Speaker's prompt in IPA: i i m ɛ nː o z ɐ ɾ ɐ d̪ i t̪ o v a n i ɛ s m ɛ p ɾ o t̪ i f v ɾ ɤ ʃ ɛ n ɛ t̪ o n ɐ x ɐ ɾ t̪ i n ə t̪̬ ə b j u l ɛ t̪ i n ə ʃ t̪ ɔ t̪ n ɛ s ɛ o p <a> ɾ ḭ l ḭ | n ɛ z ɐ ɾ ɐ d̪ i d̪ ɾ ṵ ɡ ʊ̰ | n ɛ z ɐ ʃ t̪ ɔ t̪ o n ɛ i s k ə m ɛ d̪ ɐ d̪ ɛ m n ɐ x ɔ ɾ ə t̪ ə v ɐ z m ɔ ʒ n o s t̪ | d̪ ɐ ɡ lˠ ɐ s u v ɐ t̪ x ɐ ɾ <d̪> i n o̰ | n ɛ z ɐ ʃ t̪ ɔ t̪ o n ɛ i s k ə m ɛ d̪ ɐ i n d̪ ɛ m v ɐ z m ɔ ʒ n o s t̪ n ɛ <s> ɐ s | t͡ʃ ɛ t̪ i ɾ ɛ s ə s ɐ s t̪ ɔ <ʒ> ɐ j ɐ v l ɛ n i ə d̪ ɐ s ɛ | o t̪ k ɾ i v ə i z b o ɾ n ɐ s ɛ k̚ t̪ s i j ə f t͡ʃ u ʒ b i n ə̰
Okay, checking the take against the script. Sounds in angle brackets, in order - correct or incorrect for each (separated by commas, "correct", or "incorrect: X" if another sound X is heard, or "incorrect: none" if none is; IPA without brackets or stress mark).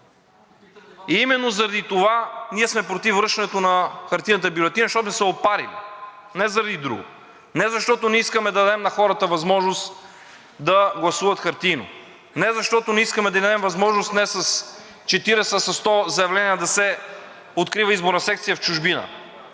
correct, incorrect: t̪, correct, incorrect: z